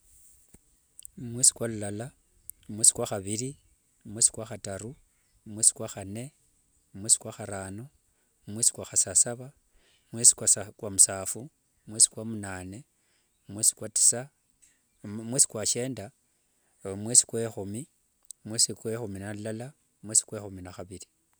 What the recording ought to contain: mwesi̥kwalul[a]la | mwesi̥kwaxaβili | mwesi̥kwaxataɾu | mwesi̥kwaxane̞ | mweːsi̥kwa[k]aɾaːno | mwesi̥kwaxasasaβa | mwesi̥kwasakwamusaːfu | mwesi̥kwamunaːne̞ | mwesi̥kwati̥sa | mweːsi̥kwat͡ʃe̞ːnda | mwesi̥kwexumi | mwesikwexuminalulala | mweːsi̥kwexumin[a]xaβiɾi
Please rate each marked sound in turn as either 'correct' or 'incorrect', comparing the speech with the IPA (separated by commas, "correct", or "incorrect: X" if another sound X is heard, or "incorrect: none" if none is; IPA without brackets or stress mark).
correct, incorrect: x, correct